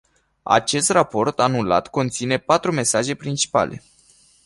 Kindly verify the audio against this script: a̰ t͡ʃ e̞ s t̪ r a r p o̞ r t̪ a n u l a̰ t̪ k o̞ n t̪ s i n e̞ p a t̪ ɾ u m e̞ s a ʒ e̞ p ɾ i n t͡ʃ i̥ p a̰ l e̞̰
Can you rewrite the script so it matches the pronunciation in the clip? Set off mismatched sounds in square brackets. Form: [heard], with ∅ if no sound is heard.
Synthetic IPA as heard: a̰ t͡ʃ e̞ s t̪ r a [∅] p o̞ r t̪ a n u l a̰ t̪ k o̞ n t̪ s i n e̞ p a t̪ ɾ u m e̞ s a ʒ e̞ p ɾ i n t͡ʃ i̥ p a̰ l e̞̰